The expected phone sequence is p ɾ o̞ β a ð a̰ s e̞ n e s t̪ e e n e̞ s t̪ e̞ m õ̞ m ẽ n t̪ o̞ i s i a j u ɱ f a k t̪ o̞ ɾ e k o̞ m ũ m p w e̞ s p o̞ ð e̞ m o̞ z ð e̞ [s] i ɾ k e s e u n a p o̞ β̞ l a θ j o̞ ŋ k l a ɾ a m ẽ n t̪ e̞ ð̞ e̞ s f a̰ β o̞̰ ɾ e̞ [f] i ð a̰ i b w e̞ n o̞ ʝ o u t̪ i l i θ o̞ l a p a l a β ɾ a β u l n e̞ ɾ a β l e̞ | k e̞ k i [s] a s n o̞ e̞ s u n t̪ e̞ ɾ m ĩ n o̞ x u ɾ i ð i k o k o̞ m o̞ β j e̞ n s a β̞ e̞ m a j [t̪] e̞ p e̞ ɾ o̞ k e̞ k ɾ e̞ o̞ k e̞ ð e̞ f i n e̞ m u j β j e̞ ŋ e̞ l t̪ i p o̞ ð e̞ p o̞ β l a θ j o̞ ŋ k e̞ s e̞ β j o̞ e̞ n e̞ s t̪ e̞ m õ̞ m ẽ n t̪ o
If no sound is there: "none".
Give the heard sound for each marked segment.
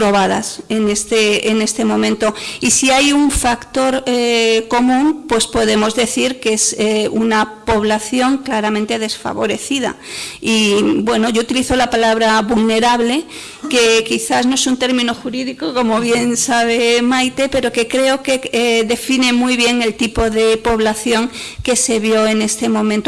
θ, θ, θ, t̪

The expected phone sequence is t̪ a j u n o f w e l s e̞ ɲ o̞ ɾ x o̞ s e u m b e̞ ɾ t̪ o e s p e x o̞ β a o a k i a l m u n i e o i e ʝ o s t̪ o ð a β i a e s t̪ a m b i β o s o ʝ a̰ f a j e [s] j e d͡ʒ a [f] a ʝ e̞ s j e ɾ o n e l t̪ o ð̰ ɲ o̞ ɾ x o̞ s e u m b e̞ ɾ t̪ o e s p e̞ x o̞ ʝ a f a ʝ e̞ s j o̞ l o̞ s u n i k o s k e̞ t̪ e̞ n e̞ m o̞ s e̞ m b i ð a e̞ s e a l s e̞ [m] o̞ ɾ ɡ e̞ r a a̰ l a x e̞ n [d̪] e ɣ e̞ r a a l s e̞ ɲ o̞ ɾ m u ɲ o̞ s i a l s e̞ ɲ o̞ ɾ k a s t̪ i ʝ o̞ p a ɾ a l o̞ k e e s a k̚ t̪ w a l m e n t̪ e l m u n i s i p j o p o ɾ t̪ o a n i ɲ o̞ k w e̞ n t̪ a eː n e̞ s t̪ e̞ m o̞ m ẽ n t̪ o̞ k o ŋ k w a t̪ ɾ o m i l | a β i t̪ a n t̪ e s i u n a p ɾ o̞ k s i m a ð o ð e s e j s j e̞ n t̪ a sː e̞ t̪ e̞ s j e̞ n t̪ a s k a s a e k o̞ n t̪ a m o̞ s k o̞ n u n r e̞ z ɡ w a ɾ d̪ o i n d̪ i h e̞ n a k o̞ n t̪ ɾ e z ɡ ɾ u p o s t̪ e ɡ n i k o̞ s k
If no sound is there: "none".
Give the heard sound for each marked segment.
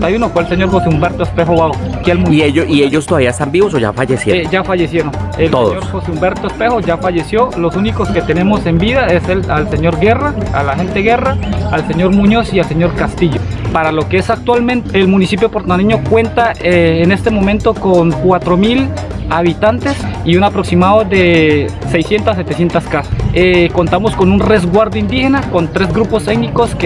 s, f, ɲ, t̪

